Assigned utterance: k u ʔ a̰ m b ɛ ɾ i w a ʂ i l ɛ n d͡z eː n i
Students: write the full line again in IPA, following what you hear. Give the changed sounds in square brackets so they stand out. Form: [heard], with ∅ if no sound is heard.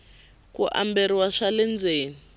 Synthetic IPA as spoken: k u ʔ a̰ m b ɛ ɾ i w a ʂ [a] l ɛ n d͡z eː n i

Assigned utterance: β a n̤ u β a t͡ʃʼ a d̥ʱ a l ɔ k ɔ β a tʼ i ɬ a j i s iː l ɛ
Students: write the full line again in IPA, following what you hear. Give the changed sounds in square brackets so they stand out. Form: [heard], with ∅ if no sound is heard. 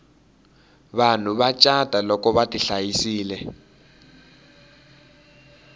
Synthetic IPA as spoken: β a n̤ u β a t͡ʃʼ a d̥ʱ a l ɔ k ɔ β a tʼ i ɬ a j i s iː l ɛ

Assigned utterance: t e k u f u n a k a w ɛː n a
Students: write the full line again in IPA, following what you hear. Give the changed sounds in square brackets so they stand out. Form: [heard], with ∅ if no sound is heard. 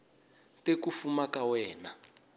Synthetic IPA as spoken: t e k u f u [m] a k a w ɛː n a

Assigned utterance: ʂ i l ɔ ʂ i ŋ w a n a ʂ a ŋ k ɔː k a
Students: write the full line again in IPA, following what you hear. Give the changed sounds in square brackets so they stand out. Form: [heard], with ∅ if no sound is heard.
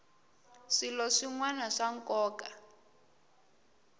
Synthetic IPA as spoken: ʂ i l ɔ ʂ i ŋ w a n a ʂ a ŋ k ɔː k a

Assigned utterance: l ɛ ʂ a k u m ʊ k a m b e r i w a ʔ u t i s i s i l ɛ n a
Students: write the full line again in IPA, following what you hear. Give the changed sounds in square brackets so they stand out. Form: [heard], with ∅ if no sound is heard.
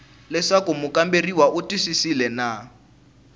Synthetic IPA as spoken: l ɛ ʂ a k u m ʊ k a m b e r i w a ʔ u t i s i s i l ɛ n a

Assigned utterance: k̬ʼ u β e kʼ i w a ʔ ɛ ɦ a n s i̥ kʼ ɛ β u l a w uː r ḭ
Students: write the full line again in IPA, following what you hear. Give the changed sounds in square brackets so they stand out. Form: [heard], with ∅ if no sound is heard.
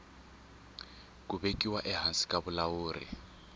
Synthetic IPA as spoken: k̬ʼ u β e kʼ i w a ʔ ɛ ɦ a n s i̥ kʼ [a] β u l a w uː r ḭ

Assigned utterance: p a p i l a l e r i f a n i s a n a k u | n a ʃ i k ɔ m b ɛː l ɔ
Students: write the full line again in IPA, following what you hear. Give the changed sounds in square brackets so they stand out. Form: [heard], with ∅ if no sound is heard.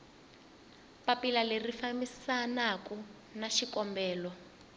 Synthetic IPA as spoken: p a p i l a l e r i f a [m] i s a n a k u | n a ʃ i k ɔ m b ɛː l ɔ

